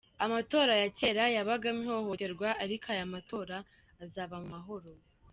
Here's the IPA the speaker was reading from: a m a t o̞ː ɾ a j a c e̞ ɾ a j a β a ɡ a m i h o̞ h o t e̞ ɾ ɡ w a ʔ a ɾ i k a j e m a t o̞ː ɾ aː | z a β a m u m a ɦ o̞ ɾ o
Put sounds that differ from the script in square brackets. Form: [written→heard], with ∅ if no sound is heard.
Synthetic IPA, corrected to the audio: a m a t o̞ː ɾ a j a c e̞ ɾ a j a β a ɡ a m i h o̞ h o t e̞ ɾ ɡ w a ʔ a ɾ i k a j [e→a] m a t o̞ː ɾ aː | z a β a m u m a ɦ o̞ ɾ o